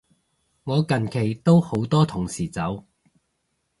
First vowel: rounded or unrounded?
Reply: rounded